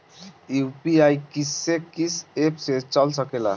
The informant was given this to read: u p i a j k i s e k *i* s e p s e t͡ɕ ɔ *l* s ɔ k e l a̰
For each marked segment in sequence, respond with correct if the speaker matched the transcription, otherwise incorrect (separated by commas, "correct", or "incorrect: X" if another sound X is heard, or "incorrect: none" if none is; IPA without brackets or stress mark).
correct, correct